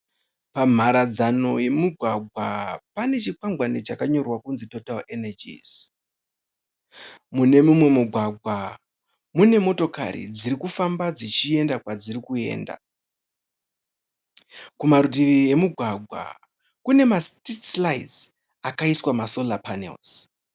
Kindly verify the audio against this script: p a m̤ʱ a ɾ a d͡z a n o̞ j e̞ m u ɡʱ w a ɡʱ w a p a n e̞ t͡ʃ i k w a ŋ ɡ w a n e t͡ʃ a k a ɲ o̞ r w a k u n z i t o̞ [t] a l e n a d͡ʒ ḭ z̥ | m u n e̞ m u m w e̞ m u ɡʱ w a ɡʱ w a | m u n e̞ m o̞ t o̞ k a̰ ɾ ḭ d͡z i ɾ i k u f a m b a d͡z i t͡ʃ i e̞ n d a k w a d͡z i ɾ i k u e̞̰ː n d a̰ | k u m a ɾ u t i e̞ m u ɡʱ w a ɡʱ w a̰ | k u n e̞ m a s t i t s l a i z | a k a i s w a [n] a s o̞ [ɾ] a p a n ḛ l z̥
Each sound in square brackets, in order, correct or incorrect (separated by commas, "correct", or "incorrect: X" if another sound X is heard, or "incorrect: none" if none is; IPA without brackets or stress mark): correct, incorrect: m, incorrect: l